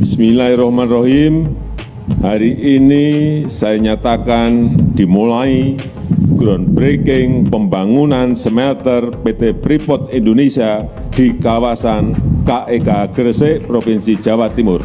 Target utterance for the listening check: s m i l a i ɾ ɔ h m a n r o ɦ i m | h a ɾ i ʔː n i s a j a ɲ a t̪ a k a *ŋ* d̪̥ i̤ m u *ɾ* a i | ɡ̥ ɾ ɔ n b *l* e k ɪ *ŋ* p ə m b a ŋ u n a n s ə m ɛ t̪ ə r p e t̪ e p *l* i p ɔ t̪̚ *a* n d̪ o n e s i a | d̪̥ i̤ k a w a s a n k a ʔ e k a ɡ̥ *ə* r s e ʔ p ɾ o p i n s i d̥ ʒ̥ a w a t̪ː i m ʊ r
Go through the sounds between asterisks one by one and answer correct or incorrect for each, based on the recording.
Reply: incorrect: n, incorrect: l, incorrect: ɾ, correct, incorrect: ɾ, incorrect: i, correct

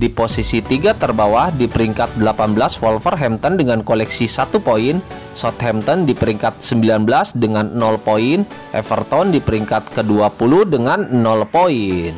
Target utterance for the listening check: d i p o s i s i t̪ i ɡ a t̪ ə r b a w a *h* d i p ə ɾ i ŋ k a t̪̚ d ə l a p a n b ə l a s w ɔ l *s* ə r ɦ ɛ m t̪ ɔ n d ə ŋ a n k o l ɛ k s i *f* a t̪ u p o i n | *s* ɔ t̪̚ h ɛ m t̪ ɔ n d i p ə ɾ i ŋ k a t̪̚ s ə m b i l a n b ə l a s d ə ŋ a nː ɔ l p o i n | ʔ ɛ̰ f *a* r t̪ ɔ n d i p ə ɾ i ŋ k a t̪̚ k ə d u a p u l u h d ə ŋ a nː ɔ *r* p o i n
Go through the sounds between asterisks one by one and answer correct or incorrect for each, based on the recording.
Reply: correct, incorrect: f, incorrect: s, correct, incorrect: ə, incorrect: l

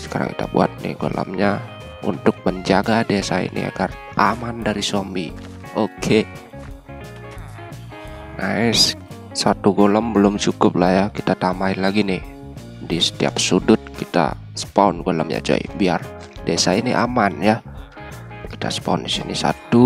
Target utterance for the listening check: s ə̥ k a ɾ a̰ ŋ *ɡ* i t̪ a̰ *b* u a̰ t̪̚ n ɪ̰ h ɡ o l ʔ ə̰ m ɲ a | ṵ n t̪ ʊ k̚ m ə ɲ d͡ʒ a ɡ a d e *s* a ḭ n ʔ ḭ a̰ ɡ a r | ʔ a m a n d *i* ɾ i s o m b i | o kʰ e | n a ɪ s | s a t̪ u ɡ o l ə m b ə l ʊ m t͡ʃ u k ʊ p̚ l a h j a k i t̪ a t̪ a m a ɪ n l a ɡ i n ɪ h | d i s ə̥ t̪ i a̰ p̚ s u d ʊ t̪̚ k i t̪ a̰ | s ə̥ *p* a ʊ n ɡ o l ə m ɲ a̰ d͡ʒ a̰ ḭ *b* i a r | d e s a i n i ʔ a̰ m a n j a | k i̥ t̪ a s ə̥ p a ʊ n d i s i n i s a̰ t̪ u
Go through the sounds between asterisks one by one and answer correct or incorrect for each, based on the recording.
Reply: incorrect: k, correct, correct, incorrect: a, correct, correct

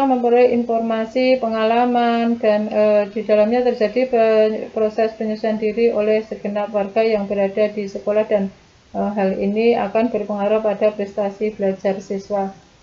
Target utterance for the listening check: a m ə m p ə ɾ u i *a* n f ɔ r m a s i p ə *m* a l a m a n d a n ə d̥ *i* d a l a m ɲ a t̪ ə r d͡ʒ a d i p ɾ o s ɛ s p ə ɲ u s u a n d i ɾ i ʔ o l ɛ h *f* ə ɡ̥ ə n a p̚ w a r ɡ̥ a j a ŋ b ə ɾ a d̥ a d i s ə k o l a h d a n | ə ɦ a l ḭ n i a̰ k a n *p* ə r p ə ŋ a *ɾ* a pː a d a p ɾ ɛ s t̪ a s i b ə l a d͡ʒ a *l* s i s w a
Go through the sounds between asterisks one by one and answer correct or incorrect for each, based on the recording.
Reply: incorrect: i, incorrect: ŋ, correct, incorrect: s, incorrect: b, correct, incorrect: r

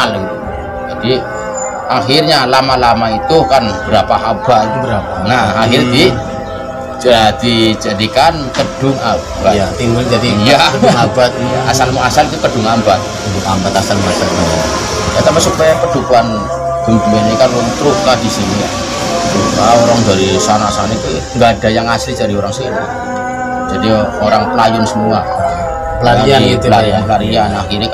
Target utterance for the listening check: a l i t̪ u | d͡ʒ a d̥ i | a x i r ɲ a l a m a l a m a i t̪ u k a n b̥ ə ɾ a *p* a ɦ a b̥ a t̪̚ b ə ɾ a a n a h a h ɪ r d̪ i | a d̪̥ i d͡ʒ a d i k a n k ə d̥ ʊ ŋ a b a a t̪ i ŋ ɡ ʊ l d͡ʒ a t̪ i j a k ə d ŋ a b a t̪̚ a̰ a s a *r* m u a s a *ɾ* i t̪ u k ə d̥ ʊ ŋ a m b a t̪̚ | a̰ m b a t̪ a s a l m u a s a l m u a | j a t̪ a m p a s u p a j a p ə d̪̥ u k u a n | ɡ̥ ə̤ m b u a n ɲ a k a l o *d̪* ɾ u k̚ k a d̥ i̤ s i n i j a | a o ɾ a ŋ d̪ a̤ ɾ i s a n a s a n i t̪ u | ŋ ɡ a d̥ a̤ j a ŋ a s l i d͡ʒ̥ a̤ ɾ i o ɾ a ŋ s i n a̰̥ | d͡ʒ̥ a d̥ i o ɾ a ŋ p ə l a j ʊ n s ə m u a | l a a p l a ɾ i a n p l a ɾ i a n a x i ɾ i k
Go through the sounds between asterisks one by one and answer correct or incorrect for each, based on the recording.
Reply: correct, incorrect: l, incorrect: l, incorrect: t̪

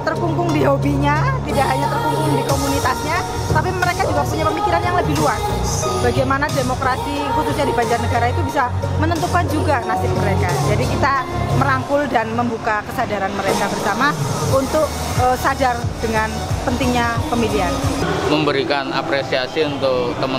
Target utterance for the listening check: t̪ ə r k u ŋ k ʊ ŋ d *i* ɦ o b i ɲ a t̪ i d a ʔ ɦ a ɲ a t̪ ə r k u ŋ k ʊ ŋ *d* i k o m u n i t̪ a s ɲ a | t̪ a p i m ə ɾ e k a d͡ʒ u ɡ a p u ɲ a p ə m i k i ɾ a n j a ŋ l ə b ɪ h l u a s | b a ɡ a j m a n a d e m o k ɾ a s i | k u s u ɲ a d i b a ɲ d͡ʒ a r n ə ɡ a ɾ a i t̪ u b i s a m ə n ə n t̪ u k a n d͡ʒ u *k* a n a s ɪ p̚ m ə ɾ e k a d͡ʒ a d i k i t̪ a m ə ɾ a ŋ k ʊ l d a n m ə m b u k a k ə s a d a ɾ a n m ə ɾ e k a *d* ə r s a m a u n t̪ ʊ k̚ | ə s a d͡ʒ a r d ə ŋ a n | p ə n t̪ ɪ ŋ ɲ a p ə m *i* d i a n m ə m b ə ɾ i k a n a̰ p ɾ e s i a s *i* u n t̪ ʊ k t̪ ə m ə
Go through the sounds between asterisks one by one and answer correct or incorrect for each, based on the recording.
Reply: correct, correct, incorrect: ɡ, incorrect: b, correct, correct

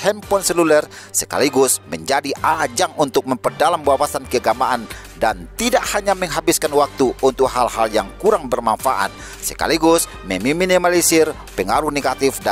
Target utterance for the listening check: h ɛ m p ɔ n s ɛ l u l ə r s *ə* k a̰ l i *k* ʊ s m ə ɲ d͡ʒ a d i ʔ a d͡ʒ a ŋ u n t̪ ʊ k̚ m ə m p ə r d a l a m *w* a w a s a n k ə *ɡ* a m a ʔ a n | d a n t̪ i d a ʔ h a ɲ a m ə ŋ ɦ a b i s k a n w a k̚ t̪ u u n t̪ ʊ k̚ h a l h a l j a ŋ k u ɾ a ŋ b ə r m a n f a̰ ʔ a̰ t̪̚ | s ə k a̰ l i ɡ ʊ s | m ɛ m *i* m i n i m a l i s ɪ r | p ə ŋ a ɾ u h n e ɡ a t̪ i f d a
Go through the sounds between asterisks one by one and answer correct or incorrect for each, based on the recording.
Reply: correct, incorrect: ɡ, incorrect: b, correct, correct

